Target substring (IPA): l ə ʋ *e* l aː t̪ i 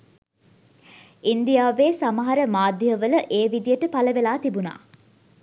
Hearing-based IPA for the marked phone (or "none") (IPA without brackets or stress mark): e